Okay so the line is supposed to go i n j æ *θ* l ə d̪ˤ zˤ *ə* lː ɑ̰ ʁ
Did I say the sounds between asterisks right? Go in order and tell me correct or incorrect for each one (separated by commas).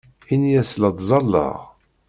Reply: incorrect, incorrect